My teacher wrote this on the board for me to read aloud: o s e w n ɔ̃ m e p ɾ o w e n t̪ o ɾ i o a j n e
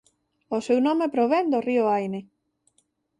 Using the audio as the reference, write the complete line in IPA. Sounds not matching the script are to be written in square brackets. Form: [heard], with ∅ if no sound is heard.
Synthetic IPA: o s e w n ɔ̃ m e p ɾ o [β] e n [d̪] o [r] i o a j n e